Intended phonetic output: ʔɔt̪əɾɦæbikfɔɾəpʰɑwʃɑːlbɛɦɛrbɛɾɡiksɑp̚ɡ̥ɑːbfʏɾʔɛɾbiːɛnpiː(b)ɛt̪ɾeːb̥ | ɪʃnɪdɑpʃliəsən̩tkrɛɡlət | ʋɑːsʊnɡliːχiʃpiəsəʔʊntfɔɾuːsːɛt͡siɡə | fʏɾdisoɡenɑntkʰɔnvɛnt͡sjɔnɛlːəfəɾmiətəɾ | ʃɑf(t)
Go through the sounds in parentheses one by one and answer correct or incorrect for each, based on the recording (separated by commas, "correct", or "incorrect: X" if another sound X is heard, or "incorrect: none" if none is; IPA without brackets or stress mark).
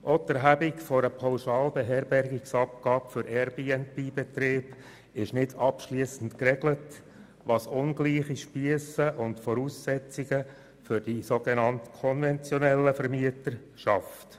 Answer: correct, correct